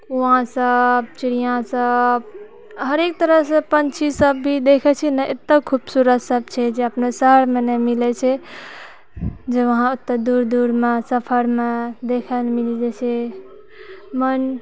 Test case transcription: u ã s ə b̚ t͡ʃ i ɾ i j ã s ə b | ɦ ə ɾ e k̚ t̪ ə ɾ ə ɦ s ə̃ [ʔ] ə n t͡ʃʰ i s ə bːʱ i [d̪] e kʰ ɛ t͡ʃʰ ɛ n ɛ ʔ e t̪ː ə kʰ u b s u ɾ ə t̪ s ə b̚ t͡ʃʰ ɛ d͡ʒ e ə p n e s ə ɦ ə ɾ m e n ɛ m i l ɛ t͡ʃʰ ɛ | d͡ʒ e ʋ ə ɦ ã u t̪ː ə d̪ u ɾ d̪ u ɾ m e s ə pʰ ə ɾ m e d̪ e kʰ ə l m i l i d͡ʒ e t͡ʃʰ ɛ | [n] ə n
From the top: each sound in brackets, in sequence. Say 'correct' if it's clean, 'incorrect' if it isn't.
incorrect: p, correct, incorrect: m

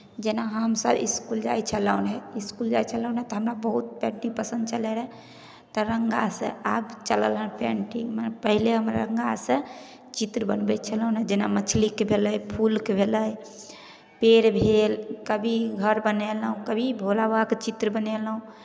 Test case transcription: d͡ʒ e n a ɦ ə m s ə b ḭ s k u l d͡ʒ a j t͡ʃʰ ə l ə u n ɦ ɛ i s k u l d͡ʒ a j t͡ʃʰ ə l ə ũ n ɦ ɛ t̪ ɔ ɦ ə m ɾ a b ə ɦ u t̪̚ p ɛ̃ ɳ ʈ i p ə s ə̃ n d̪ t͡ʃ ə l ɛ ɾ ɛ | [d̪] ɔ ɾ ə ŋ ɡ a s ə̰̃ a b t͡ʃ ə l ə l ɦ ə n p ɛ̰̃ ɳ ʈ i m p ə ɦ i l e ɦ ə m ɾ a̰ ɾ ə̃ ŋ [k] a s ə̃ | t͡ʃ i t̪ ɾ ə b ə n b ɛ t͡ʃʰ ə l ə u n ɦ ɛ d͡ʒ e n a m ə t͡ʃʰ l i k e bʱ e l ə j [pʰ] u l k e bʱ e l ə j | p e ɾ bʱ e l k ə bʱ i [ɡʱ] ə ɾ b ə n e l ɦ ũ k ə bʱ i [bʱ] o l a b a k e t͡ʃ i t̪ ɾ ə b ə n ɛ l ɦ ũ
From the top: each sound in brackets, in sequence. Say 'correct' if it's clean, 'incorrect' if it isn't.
incorrect: t̪, incorrect: ɡ, correct, correct, correct

